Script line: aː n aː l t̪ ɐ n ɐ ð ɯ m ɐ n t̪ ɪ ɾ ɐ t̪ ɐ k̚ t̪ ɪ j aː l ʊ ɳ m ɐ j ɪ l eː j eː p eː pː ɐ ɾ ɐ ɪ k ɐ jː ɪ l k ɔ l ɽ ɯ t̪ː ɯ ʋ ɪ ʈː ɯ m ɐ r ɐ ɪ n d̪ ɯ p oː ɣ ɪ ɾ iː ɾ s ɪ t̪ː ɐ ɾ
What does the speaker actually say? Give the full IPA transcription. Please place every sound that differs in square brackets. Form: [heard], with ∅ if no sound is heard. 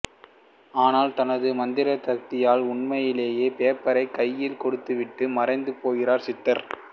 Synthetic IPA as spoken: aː n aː l t̪ ɐ n ɐ ð ɯ m ɐ n [d̪] ɪ ɾ ɐ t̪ ɐ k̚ t̪ ɪ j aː l ʊ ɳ m ɐ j ɪ l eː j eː p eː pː ɐ ɾ ɐ ɪ k ɐ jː ɪ l k ɔ [∅] ɽ ɯ t̪ː ɯ ʋ ɪ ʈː ɯ m ɐ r ɐ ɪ n d̪ ɯ p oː ɣ ɪ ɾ [aː] ɾ s ɪ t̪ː ɐ ɾ